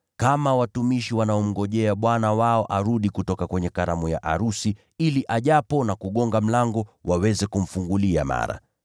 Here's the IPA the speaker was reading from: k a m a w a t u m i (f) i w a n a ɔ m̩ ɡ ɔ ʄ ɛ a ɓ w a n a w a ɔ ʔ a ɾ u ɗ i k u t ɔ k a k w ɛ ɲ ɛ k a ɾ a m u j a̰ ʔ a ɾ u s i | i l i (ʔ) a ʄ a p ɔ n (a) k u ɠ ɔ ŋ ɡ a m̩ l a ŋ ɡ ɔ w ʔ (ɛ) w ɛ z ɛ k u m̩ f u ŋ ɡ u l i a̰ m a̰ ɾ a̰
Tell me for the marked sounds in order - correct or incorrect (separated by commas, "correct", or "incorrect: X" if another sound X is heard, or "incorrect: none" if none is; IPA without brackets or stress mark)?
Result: incorrect: ʃ, correct, correct, incorrect: a